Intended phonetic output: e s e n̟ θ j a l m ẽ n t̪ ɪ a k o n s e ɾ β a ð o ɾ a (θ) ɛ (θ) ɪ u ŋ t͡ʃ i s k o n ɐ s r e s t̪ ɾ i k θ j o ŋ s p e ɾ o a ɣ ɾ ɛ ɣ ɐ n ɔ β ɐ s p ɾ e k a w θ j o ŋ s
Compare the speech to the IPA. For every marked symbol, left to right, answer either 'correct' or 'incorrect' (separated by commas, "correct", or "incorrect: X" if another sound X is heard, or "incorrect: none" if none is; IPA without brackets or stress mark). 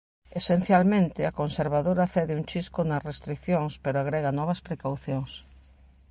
correct, incorrect: ð